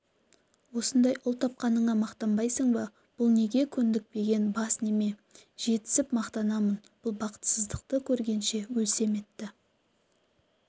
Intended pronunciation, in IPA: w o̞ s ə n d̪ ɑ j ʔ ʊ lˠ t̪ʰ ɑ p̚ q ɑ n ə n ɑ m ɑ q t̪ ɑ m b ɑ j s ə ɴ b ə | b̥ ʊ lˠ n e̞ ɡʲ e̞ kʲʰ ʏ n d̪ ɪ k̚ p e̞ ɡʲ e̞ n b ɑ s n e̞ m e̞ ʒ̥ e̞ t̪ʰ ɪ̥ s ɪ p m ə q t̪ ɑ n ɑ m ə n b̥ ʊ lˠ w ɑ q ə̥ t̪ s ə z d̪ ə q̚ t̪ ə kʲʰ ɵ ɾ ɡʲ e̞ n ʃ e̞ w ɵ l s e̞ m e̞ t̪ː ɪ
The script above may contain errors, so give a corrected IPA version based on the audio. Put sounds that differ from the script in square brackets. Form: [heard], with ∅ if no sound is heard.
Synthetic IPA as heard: w o̞ s ə n d̪ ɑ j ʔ ʊ lˠ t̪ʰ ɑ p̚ q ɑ n ə [ɴ] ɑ m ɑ q t̪ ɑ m b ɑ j s ə ɴ b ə | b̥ ʊ lˠ n e̞ ɡʲ e̞ kʲʰ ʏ n d̪ ɪ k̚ p e̞ ɡʲ e̞ n b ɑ s n e̞ m e̞ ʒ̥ e̞ [t̪] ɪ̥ s ɪ p m [ɑ] q t̪ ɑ n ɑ m ə n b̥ ʊ lˠ [b] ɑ q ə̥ t̪ s ə z d̪ ə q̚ t̪ ə kʲʰ ɵ ɾ ɡʲ e̞ n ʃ e̞ w ɵ l s e̞ m e̞ t̪ː ɪ